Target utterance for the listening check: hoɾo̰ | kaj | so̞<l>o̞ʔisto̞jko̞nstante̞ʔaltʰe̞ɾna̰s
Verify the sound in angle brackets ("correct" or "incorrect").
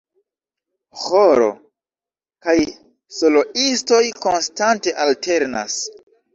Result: correct